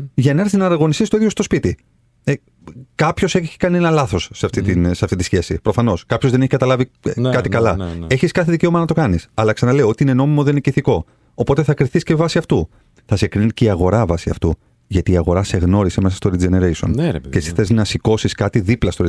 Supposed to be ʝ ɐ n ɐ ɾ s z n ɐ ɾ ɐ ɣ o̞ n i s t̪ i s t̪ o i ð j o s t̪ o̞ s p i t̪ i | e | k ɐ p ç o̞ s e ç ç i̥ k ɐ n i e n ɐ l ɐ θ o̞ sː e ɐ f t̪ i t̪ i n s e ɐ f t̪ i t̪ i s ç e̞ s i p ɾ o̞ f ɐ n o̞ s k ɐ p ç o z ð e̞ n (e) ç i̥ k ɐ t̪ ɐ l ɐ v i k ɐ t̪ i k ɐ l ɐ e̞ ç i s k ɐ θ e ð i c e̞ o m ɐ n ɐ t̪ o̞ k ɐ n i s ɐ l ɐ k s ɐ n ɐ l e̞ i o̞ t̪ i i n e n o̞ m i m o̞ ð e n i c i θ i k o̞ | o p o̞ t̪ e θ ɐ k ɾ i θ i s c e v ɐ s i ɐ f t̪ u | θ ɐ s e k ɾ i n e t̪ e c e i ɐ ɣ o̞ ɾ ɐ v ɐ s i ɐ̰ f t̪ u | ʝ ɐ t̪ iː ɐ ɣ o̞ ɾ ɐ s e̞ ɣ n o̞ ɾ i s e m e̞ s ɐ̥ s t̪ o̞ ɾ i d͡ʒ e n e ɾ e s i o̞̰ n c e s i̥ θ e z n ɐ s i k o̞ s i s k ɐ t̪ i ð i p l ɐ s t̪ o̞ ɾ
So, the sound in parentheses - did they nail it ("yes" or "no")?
yes